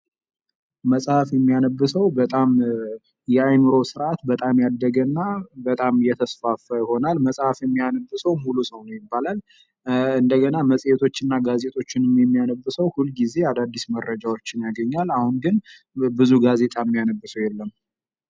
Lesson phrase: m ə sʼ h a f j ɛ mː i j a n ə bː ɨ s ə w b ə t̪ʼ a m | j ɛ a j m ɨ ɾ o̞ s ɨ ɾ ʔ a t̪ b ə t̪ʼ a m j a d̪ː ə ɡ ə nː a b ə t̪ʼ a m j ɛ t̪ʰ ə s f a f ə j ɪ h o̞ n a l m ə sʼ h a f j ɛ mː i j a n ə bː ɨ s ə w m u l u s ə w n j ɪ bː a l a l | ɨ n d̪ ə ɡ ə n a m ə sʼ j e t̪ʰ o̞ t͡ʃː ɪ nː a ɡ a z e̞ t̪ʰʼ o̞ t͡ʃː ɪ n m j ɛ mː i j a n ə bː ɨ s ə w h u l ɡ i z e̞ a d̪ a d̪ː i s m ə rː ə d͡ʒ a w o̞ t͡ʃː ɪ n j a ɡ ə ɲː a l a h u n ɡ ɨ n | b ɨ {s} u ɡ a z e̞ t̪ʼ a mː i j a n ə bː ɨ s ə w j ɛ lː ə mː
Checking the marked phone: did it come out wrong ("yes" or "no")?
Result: yes